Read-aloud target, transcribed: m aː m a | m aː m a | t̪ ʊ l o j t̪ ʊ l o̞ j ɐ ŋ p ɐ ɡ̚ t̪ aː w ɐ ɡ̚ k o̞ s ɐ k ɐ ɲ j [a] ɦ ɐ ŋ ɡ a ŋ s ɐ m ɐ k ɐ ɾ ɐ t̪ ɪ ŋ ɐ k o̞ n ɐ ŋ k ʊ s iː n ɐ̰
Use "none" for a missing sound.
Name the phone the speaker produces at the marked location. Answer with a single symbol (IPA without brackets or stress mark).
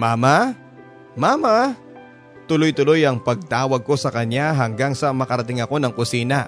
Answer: a